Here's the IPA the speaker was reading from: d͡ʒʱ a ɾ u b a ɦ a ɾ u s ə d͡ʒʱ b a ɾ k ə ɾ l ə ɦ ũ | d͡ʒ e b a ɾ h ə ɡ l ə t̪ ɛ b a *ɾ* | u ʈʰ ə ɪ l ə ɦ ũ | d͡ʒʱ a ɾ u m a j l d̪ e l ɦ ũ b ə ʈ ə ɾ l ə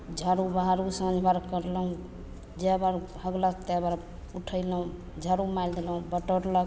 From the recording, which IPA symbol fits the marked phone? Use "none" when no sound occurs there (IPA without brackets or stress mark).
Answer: ɾ